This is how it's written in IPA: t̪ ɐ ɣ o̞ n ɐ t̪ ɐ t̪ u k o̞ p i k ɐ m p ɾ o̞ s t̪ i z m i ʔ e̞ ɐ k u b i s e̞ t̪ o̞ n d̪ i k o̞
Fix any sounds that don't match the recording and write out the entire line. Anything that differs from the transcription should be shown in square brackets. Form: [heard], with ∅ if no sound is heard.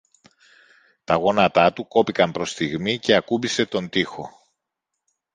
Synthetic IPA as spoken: t̪ ɐ ɣ o̞ n ɐ t̪ ɐ t̪ u k o̞ p i k ɐ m p ɾ o̞ s t̪ i [ɣ] m i [c] e̞ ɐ k u b i s e̞ t̪ o̞ n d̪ i [x] o̞